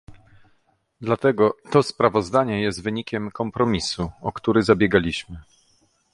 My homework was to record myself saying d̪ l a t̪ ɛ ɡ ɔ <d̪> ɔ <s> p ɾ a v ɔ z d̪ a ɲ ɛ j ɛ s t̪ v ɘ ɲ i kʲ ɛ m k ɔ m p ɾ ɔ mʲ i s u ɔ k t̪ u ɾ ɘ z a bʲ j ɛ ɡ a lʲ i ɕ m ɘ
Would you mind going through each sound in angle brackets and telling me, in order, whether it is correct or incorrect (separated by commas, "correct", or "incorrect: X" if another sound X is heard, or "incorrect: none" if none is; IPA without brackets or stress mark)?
incorrect: t̪, correct